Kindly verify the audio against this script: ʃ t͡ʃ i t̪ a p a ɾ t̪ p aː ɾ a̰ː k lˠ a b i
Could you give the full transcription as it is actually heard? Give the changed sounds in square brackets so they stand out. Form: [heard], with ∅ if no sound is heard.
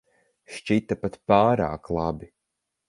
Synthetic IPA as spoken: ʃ t͡ʃ i t̪ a p a [∅] t̪ p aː ɾ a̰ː k lˠ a b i